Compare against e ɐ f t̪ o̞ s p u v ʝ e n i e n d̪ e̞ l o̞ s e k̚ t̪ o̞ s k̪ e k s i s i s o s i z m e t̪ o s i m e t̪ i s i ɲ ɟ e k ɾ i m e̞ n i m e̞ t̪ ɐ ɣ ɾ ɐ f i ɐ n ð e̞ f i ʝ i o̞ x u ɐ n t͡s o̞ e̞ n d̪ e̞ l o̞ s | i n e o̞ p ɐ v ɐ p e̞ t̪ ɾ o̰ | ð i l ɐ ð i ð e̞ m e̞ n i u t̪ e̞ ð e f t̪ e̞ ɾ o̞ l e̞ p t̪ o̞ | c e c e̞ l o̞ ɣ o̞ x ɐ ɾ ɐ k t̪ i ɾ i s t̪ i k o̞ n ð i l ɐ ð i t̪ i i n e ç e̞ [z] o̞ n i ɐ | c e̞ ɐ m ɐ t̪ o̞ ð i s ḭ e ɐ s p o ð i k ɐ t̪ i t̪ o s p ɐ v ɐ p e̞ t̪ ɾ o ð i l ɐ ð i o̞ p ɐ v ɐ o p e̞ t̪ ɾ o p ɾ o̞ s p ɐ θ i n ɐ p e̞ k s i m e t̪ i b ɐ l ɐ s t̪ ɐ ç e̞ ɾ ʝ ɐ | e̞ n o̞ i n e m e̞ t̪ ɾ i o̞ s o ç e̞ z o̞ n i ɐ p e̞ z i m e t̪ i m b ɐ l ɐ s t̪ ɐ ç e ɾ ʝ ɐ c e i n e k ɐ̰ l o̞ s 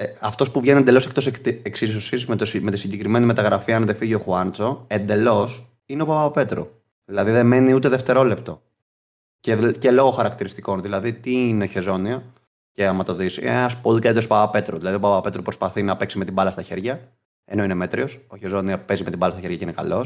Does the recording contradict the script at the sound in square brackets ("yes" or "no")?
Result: no